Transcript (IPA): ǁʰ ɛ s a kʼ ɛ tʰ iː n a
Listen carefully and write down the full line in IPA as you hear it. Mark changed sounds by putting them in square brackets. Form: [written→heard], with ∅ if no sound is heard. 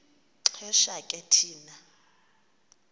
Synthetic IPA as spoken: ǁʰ ɛ [s→ʃ] a kʼ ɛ tʰ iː n a